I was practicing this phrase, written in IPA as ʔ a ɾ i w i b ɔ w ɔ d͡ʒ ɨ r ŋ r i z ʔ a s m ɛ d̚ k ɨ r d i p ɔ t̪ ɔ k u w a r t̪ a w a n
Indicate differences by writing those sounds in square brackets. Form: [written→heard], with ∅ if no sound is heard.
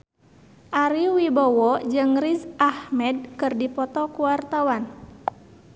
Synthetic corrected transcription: ʔ a ɾ i w i b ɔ w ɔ d͡ʒ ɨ [r→∅] ŋ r i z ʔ a [s→h] m ɛ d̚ k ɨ r d i p ɔ t̪ ɔ k u w a r t̪ a w a n

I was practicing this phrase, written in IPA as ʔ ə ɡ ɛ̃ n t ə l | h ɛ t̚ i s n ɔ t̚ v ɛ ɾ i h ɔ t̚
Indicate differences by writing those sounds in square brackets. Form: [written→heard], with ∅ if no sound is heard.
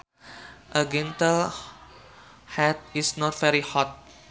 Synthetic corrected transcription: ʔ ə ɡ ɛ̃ n t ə l | h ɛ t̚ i s n ɔ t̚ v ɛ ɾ i h ɔ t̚

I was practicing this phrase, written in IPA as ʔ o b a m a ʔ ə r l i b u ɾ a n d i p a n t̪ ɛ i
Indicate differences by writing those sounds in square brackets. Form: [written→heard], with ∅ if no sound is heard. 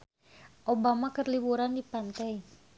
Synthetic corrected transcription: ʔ o b a m a [ʔ→k] ə r l i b u ɾ a n d i p a n t̪ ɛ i

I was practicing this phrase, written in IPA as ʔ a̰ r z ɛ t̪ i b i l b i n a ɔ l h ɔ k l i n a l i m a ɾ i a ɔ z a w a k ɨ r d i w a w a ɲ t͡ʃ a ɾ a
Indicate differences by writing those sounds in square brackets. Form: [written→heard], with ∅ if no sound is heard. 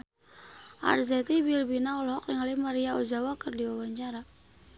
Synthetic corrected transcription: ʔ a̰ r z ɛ t̪ i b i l b i n a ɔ l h ɔ k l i [n→ŋ] a l i m a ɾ i a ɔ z a w a k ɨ r d i w a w a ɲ t͡ʃ a ɾ a

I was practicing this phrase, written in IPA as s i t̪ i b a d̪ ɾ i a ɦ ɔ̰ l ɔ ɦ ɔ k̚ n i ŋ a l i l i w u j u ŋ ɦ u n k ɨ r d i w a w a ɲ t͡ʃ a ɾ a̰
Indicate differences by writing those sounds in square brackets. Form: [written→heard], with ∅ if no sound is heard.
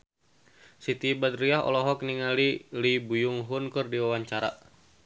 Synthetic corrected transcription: s i t̪ i b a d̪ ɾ i a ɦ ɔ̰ l ɔ ɦ ɔ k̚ n i ŋ a l i l i [w→b] u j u ŋ ɦ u n k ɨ r d i w a w a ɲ t͡ʃ a ɾ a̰

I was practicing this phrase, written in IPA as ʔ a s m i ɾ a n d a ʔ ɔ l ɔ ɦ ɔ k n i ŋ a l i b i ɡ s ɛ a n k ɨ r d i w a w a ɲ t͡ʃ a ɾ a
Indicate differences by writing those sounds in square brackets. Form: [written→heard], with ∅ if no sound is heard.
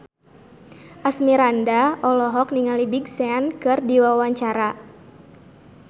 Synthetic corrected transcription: ʔ a s m i ɾ a n d a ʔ ɔ l ɔ ɦ ɔ k n i ŋ a l i b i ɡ s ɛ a n k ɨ r d i w a w a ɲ t͡ʃ a ɾ a

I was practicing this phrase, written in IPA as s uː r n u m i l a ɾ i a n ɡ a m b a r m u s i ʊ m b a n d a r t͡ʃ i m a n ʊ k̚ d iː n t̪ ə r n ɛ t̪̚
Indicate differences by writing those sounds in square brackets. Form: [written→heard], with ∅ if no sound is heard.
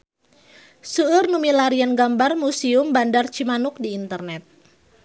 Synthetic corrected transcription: s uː r n u m i l a ɾ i a n ɡ a m b a r m u s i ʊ m b a n d a r t͡ʃ i m a n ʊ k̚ d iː n t̪ ə r n ɛ t̪̚

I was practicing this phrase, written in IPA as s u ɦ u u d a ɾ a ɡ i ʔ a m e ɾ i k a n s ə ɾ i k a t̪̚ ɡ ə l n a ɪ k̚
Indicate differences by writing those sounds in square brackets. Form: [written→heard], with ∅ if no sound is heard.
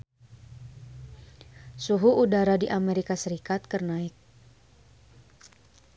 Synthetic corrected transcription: s u ɦ u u d a ɾ a [ɡ→d] i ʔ a m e ɾ i k a [n→∅] s ə ɾ i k a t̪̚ [ɡ→k] ə [l→r] n a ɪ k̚

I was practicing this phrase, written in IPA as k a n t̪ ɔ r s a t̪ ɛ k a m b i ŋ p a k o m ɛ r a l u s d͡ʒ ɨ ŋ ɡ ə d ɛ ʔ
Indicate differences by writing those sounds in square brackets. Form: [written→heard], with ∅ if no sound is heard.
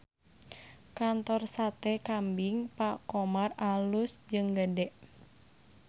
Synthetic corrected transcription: k a n t̪ ɔ r s a t̪ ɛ k a m b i ŋ p a k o m [ɛ→a] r a l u s d͡ʒ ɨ ŋ ɡ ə d ɛ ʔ

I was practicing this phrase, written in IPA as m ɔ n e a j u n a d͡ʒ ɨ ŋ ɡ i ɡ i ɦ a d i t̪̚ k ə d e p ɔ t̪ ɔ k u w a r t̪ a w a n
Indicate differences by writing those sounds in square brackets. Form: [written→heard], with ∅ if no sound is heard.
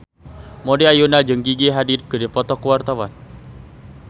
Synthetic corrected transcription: m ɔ [n→d] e a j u n a d͡ʒ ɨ ŋ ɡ i ɡ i ɦ a d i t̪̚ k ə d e p ɔ t̪ ɔ k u w a r t̪ a w a n

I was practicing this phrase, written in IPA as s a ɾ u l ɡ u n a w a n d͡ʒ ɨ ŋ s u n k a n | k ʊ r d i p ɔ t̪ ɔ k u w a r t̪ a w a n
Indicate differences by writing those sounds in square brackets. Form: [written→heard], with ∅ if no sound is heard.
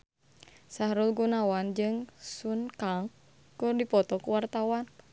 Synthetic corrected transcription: s a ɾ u l ɡ u n a w a n d͡ʒ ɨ ŋ s u n k a [n→ŋ] | k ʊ r d i p ɔ t̪ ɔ k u w a r t̪ a w a n

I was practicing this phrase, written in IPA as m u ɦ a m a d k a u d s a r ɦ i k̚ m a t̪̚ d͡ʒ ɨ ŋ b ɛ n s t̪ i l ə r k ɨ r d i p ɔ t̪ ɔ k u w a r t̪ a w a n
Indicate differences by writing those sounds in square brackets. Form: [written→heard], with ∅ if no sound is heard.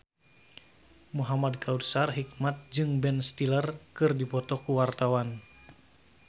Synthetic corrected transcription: m u ɦ a m a d k a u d s a r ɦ i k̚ m a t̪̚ d͡ʒ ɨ ŋ b ɛ n s t̪ i l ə r k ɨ r d i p ɔ t̪ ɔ k u w a r t̪ a w a n

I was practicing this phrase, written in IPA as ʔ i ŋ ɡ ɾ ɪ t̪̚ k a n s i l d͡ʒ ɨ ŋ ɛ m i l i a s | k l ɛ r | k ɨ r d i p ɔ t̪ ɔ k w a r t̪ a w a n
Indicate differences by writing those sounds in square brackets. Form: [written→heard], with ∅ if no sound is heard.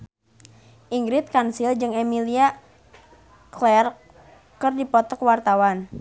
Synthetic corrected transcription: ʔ i ŋ ɡ ɾ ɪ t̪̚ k a n s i l d͡ʒ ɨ ŋ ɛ m i l i a [s→∅] | k l ɛ r | k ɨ r d i p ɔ t̪ ɔ k w a r t̪ a w a n

